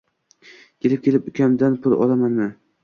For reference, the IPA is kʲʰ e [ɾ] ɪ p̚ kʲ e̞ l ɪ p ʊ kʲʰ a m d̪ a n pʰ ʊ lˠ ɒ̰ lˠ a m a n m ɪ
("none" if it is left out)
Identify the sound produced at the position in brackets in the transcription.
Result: l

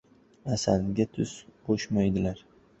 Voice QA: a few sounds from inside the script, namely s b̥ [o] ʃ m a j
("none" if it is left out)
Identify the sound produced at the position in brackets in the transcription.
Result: o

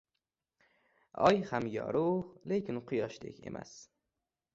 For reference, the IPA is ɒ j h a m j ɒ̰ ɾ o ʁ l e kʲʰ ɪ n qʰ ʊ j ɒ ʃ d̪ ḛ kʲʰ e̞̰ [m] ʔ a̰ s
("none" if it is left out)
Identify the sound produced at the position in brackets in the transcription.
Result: m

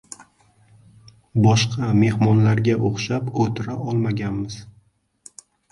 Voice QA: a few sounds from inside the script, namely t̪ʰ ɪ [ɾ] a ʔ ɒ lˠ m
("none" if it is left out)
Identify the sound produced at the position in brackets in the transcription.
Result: ɾ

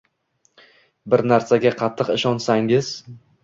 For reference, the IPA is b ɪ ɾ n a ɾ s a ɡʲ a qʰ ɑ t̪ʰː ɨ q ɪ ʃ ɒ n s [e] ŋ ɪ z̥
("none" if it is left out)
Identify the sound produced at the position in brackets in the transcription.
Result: a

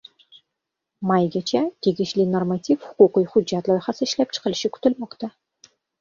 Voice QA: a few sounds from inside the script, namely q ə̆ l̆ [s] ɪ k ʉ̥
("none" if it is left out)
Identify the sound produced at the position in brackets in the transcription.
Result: ʃ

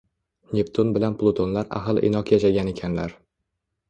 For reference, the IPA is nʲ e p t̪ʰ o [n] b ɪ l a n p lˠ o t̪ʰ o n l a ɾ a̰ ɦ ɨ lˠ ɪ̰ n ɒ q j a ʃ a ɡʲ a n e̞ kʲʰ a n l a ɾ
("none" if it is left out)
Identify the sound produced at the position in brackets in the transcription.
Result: n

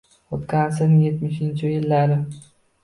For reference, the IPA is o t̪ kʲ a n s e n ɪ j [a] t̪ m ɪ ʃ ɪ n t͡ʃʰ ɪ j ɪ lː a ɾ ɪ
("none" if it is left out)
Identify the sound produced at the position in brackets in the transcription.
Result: e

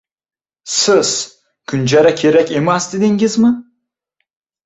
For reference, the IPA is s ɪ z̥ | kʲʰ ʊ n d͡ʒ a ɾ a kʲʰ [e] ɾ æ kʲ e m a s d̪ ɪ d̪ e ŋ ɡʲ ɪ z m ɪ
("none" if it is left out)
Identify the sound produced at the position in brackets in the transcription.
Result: e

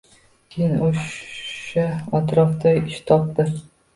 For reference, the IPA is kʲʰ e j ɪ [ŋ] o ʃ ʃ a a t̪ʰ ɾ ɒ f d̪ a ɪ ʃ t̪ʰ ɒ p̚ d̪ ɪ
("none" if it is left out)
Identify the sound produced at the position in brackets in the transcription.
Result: n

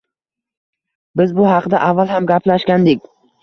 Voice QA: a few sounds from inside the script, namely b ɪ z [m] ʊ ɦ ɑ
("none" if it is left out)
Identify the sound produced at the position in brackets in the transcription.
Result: b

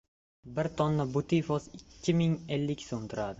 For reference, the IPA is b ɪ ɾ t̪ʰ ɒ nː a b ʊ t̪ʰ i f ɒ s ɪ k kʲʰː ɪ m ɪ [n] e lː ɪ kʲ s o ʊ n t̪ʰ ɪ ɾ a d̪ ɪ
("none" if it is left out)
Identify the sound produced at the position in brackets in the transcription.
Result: ŋ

